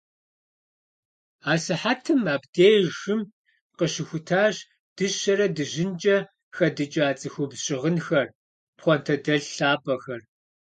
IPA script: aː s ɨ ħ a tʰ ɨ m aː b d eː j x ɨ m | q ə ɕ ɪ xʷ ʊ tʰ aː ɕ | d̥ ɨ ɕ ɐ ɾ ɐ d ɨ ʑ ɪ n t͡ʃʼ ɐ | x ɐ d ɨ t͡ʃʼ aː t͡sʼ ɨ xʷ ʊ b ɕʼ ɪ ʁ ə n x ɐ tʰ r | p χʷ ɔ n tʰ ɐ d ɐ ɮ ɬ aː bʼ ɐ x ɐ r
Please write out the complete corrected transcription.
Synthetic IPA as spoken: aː s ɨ ħ a tʰ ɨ m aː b d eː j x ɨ m | q ə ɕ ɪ xʷ ʊ tʰ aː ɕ | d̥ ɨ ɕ ɐ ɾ ɐ d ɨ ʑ ɪ n t͡ʃʼ ɐ | x ɐ d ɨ t͡ʃʼ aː t͡sʼ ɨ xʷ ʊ b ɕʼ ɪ ʁ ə n x ɐ r | p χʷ ɔ n tʰ ɐ d ɐ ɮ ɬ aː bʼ ɐ x ɐ r